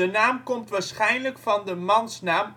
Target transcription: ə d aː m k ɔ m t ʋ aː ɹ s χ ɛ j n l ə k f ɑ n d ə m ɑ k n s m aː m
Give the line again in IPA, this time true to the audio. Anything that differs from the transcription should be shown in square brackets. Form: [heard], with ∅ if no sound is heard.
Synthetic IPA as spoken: ə [n] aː m k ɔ m t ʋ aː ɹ s χ ɛ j n l ə k f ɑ n d ə m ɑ [∅] n s [n] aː m